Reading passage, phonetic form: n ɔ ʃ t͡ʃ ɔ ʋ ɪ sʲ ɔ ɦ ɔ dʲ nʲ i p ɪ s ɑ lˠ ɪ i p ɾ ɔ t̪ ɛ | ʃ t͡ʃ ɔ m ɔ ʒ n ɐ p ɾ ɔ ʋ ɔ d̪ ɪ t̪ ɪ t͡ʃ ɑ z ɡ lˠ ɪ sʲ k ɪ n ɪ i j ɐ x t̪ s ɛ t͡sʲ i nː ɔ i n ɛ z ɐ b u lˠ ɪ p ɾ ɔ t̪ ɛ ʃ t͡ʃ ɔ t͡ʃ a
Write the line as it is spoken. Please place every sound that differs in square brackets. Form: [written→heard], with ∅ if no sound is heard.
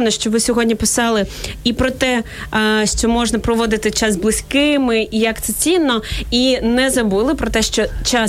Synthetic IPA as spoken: n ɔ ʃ t͡ʃ ɔ ʋ ɪ sʲ ɔ ɦ ɔ dʲ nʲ i p ɪ s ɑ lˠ ɪ i p ɾ ɔ t̪ ɛ | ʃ t͡ʃ ɔ m ɔ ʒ n ɐ p ɾ ɔ ʋ ɔ d̪ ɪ t̪ ɪ t͡ʃ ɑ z [ɡ→b] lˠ ɪ sʲ k ɪ [n→m] ɪ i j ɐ [x→k] t̪ s ɛ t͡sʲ i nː ɔ i n ɛ z ɐ b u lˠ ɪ p ɾ ɔ t̪ ɛ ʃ t͡ʃ ɔ t͡ʃ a